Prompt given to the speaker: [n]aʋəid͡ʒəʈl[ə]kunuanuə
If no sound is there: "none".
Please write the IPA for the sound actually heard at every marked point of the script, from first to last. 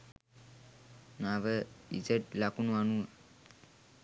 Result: n, a

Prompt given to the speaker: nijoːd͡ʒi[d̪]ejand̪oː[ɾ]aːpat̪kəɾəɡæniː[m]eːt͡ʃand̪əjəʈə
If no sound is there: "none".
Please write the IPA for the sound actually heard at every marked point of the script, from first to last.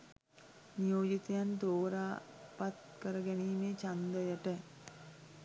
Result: t̪, ɾ, m

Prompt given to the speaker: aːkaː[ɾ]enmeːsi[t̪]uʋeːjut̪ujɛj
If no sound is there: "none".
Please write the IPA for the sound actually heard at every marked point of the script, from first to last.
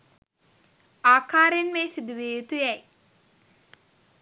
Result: ɾ, d̪

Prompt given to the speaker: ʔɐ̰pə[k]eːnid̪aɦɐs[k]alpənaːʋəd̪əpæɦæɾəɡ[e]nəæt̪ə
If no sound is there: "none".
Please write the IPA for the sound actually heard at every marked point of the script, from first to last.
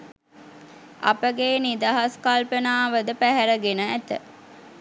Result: ɡ, k, e

